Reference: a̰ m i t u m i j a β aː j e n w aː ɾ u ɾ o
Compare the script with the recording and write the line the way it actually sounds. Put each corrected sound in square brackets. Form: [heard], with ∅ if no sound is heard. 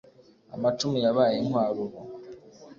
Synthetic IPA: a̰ m [a] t u m i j a β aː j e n w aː ɾ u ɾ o